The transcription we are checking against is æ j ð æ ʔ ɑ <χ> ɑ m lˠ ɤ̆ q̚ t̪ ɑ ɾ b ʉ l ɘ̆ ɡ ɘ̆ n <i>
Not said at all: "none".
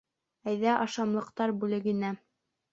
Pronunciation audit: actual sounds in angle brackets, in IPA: ʃ, æ

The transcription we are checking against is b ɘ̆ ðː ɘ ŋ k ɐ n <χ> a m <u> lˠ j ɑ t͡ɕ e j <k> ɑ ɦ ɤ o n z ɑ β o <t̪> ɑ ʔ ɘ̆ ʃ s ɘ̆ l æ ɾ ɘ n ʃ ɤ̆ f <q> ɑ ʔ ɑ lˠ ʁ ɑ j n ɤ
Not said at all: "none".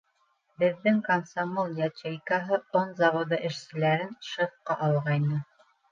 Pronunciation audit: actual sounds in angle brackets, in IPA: s, o, k, d̪, q

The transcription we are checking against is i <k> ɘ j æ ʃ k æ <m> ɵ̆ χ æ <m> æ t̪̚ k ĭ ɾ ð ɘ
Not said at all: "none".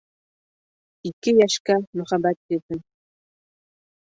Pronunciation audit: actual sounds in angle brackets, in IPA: k, m, b

